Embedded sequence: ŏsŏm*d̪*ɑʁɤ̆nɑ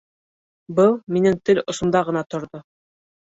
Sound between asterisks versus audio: correct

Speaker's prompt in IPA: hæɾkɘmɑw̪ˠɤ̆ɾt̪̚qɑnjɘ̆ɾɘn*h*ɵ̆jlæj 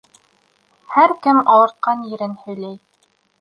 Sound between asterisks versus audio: correct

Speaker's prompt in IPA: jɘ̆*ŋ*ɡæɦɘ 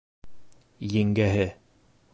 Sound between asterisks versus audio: correct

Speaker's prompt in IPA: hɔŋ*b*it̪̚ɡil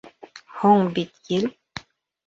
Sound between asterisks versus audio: correct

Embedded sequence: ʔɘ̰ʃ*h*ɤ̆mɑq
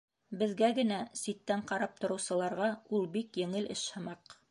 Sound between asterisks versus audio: correct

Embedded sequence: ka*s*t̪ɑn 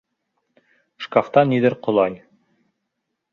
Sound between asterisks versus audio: incorrect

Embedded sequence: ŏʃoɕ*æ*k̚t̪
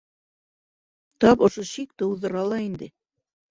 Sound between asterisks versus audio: incorrect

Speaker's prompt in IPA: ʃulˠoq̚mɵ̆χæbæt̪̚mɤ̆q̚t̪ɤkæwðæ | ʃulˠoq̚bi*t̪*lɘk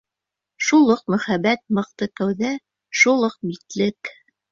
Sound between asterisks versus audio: correct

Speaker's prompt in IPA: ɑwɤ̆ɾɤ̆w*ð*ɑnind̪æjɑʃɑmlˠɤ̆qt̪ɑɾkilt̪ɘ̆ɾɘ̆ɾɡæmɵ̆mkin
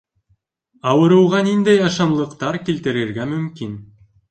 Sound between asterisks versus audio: incorrect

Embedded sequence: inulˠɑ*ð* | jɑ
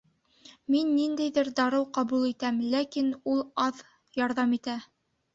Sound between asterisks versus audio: correct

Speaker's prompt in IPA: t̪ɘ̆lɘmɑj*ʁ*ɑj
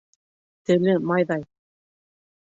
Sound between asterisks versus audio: incorrect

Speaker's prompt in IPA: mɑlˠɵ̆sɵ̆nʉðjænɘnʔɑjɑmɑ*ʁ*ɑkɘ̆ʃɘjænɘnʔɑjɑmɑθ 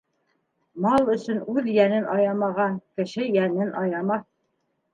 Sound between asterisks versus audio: correct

